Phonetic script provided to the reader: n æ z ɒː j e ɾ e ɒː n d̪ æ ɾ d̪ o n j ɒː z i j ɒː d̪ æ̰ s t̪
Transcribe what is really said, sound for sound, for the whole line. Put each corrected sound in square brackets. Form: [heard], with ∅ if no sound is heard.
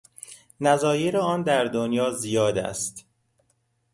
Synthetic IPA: n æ z ɒː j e ɾ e ɒː n d̪ æ ɾ d̪ o n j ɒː z i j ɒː d̪ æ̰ s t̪